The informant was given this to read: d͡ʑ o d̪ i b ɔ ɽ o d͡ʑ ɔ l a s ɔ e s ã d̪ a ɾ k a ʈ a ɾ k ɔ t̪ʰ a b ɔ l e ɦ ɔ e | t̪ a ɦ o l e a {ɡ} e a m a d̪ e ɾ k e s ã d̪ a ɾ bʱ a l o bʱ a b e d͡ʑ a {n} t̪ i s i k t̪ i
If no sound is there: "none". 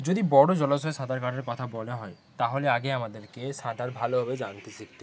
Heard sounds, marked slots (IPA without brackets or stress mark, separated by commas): ɡ, n